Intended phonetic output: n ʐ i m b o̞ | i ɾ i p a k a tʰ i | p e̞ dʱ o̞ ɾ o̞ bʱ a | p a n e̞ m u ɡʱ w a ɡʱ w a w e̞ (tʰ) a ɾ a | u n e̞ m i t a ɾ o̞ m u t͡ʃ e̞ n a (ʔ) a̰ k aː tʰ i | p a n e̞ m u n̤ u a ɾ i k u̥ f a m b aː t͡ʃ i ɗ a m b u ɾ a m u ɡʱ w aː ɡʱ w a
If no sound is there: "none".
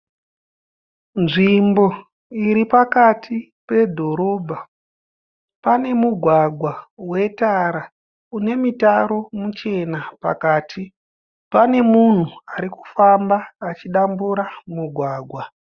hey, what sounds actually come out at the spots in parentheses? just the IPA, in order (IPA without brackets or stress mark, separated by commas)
t, p